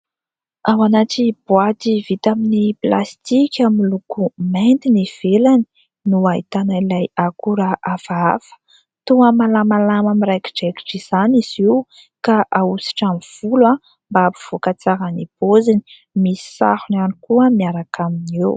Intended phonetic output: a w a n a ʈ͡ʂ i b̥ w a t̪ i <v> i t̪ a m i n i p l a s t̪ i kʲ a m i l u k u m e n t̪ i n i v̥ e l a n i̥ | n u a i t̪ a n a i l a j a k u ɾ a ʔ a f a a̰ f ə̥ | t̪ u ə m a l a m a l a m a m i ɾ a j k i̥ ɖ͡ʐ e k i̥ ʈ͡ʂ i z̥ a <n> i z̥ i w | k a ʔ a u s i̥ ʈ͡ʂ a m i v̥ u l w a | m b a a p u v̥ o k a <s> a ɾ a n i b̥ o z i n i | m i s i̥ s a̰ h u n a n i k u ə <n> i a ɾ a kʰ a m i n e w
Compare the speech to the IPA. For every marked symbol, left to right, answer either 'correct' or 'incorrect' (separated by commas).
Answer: correct, correct, incorrect, incorrect